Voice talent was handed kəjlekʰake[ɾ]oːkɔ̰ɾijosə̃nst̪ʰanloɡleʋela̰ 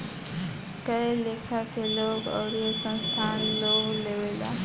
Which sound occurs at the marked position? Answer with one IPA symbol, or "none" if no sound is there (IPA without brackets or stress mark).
l